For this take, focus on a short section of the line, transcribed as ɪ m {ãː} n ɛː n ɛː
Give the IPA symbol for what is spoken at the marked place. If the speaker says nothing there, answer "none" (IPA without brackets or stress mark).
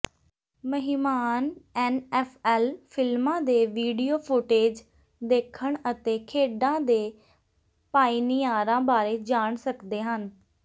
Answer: aː